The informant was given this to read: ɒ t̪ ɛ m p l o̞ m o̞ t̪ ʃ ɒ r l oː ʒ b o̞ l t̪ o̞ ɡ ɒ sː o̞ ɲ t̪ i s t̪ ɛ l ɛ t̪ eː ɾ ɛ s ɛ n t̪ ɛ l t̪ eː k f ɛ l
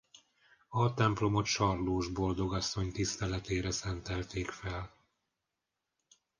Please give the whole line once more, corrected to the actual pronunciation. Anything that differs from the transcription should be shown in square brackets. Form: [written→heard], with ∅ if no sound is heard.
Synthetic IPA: ɒ t̪ ɛ m p l o̞ m o̞ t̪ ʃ ɒ r l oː ʒ b o̞ l [t̪→d̪] o̞ ɡ ɒ sː o̞ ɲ t̪ i s t̪ ɛ l ɛ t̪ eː ɾ ɛ s ɛ n t̪ ɛ l t̪ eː k f ɛ l